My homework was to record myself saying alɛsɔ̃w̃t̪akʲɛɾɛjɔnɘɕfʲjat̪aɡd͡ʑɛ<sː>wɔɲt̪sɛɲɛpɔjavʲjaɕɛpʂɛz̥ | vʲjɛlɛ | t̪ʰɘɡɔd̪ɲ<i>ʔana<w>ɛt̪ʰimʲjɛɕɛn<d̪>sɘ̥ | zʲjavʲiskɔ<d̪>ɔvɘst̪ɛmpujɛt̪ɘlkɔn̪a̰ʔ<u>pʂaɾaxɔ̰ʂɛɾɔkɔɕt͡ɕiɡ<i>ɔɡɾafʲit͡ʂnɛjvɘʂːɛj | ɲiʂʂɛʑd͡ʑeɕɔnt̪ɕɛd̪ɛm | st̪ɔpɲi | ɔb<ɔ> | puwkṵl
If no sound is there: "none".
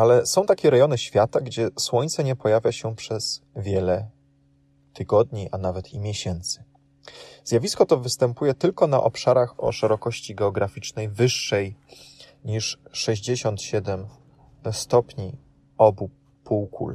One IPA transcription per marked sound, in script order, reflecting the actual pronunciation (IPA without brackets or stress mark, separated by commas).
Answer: s, i, v, t̪, t̪, ɔ, ɛ, u